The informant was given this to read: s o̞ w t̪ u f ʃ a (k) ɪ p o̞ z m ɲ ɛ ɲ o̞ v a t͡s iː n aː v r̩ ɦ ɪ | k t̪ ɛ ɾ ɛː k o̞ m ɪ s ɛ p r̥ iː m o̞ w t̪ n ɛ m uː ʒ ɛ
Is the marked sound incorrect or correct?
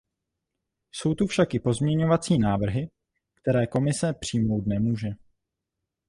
correct